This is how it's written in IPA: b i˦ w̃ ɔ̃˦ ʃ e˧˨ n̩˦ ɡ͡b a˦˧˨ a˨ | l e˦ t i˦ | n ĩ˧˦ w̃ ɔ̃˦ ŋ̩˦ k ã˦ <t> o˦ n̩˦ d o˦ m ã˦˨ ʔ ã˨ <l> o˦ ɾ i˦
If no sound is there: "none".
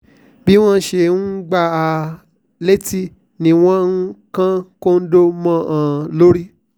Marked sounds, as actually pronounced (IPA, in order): k, l

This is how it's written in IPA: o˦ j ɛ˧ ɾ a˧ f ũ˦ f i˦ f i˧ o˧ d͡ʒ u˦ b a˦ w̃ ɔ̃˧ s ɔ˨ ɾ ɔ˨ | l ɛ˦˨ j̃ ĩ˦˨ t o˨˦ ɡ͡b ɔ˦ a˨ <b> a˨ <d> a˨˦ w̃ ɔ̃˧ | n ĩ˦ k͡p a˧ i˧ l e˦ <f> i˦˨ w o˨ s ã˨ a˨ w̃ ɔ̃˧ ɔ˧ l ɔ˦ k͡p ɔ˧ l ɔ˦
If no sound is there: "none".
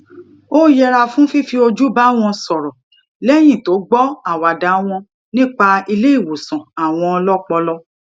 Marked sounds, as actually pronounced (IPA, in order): w, d, none

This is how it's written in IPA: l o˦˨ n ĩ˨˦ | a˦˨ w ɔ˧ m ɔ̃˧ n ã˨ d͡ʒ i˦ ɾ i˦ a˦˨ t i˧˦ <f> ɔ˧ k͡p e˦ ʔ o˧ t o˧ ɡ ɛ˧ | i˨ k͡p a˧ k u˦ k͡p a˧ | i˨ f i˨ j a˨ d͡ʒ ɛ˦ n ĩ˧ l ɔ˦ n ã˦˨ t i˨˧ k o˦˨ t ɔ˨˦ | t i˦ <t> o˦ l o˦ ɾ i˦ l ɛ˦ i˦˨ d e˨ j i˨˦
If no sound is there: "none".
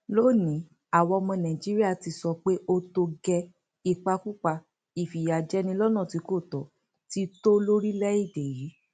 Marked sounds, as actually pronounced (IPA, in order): s, t

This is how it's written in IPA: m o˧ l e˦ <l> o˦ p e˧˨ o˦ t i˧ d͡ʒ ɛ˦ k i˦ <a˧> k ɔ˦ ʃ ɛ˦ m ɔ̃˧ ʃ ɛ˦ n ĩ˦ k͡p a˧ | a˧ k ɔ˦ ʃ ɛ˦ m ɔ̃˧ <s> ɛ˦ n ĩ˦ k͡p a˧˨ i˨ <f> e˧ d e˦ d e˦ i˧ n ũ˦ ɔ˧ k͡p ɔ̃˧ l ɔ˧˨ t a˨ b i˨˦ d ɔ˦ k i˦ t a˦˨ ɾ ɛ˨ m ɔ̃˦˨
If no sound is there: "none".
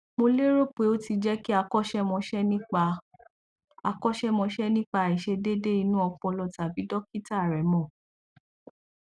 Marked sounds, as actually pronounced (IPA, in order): ɾ, a˧, ʃ, ʃ

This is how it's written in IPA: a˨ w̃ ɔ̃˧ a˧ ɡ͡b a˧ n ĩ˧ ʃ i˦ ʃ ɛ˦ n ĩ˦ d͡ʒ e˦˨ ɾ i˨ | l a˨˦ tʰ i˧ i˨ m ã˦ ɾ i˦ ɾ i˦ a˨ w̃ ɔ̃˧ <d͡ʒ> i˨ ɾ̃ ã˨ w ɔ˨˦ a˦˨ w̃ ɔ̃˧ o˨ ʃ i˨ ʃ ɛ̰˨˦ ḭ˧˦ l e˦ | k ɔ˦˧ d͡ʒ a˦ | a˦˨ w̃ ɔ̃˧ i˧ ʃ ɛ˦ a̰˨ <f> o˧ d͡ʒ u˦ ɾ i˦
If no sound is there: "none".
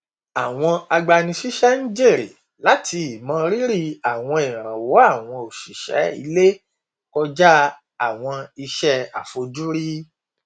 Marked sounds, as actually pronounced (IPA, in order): none, f

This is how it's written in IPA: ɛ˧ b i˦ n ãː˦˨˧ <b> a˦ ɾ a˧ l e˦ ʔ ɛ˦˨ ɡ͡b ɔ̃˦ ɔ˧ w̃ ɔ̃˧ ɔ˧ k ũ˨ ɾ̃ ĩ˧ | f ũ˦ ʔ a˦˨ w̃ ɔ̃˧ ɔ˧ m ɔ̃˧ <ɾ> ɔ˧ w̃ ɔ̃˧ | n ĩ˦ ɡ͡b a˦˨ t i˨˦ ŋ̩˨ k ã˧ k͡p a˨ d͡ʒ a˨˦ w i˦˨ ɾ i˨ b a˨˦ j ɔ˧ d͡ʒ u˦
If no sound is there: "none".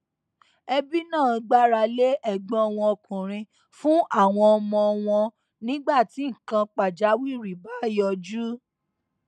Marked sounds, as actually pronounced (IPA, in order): ɡ͡b, none

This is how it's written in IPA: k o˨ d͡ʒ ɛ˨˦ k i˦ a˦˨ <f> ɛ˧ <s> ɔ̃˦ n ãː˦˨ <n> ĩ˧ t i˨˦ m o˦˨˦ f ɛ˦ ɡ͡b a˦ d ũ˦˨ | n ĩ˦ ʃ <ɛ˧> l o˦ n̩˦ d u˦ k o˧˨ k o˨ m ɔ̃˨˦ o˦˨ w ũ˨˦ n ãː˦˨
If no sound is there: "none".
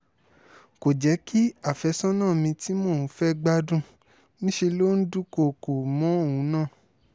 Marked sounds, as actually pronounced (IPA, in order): f, s, m, e˧

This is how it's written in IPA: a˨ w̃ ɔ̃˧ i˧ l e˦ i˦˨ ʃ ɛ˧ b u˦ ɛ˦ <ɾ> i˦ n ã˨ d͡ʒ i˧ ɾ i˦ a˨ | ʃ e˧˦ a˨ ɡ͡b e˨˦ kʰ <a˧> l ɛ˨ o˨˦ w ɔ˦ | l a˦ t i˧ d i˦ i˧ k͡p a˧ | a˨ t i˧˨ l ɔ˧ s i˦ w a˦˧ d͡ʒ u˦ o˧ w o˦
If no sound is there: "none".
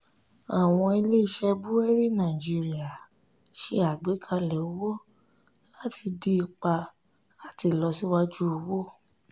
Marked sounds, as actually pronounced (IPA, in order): ɾ, a˧

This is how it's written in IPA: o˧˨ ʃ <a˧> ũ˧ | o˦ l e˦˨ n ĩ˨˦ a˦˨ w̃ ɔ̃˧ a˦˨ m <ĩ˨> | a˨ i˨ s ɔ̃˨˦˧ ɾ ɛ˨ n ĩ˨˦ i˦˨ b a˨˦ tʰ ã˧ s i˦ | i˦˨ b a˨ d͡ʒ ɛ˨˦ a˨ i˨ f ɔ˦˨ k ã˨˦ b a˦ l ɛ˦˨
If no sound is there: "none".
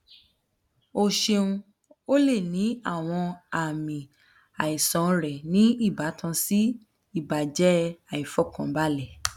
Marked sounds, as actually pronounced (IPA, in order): e˧, ĩ˨

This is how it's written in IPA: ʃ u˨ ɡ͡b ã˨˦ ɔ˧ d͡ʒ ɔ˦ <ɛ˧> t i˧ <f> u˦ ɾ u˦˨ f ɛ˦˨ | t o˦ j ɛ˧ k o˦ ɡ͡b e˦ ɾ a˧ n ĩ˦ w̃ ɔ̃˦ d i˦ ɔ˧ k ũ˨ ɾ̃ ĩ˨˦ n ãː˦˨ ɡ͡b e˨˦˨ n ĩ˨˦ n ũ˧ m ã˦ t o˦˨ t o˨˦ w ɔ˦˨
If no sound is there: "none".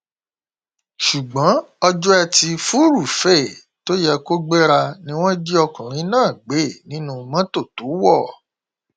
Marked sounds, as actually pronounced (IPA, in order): ɛ˧, f

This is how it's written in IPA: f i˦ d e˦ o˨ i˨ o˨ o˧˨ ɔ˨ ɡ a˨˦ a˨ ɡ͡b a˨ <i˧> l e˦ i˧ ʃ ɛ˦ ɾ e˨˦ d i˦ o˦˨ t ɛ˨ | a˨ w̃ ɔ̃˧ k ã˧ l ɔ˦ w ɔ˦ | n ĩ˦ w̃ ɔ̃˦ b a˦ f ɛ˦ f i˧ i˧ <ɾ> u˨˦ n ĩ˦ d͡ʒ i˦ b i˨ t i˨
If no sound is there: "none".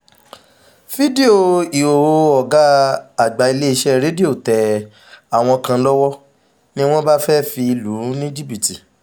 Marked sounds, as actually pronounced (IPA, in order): i˧, l

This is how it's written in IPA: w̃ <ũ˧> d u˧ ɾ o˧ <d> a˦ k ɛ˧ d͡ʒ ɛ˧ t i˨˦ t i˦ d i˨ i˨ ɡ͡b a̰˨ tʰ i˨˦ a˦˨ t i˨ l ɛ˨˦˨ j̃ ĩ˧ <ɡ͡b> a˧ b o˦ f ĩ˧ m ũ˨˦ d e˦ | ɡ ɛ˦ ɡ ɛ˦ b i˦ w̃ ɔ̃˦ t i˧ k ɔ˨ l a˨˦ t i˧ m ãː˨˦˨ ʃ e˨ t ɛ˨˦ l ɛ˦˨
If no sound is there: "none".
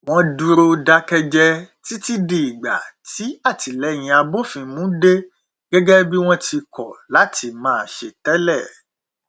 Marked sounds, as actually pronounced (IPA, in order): ɔ̃˧, d, none

